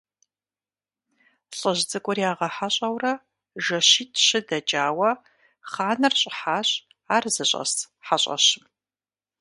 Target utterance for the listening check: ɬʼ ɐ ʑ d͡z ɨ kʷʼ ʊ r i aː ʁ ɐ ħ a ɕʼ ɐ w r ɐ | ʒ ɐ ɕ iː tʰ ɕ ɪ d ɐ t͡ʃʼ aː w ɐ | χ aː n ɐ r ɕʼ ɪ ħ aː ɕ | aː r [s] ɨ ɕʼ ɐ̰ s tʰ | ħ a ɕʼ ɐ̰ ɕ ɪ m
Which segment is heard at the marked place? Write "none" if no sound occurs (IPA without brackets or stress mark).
z